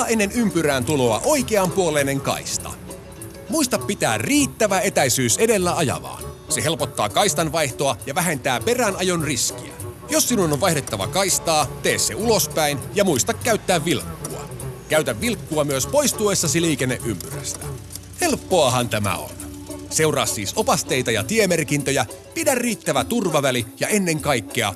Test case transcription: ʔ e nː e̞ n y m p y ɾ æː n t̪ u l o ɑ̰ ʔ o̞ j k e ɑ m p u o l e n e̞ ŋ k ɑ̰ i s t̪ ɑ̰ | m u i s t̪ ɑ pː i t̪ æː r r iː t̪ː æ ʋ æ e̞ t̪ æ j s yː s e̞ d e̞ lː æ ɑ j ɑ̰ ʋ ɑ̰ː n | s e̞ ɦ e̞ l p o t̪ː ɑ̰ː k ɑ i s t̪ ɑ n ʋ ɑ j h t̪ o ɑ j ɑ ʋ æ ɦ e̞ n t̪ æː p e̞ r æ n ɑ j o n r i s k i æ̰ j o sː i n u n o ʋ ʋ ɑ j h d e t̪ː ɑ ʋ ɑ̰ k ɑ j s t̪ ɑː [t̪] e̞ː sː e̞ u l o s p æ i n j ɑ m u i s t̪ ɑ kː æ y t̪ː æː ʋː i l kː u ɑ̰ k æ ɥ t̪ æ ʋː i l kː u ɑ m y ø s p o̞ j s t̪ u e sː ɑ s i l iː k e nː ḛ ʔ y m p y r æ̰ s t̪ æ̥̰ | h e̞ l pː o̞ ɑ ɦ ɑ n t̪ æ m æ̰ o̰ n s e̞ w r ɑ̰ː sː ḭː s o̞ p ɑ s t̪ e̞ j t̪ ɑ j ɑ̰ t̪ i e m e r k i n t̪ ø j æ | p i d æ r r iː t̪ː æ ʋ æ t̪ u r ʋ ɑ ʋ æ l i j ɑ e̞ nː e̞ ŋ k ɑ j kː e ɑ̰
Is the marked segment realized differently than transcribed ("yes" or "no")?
no